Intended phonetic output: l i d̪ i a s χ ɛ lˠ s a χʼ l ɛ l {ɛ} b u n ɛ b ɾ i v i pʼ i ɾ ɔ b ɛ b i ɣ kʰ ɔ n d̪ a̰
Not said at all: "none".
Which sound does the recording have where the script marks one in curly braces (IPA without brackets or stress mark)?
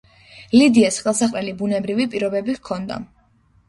i